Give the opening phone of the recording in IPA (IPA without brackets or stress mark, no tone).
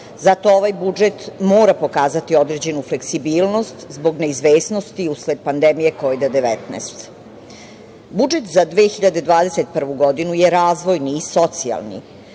z